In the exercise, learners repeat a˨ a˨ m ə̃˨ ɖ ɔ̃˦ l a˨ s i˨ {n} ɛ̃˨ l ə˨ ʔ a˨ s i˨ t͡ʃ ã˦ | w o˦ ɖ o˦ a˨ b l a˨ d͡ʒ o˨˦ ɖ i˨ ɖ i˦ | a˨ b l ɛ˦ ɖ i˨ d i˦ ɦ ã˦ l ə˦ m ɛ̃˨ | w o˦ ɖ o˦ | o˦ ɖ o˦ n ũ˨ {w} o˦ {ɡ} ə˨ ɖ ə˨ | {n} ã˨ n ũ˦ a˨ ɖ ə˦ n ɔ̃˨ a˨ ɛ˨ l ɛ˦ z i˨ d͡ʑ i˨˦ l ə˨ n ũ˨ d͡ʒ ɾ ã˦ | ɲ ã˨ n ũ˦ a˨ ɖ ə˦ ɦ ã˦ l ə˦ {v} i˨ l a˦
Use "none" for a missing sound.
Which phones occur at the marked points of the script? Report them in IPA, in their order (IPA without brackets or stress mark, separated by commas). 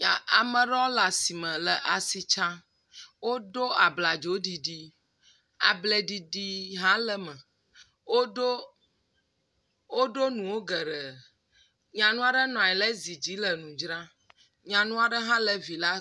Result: m, w, ɡ, ɲ, v